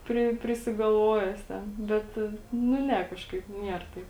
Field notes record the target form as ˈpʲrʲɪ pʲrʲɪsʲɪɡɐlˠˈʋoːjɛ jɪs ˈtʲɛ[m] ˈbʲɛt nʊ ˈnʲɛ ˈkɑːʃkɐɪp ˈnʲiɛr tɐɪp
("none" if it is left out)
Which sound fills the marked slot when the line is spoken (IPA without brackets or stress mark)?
n